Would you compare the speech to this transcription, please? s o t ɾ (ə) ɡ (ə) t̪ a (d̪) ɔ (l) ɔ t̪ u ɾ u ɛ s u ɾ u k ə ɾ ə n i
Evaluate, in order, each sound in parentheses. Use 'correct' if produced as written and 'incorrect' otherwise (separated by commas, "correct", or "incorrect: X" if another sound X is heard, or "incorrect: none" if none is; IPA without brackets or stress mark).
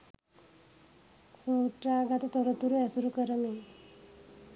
incorrect: a, incorrect: a, incorrect: t̪, incorrect: ɾ